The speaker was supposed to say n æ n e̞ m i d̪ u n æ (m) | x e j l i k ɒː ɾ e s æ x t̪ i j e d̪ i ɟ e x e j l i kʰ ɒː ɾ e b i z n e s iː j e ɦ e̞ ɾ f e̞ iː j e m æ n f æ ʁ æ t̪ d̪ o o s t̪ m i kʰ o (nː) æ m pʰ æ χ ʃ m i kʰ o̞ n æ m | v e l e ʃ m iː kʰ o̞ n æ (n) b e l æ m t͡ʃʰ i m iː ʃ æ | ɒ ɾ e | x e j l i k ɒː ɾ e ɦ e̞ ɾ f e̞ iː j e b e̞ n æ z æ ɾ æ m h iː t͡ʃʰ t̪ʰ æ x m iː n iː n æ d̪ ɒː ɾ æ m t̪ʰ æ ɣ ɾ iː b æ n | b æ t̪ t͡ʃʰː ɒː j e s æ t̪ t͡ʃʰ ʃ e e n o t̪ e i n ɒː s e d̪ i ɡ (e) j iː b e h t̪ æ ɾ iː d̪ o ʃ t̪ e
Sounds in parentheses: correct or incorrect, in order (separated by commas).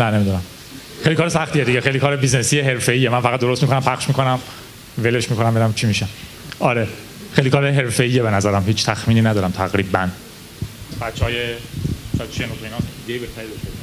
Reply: correct, incorrect, incorrect, correct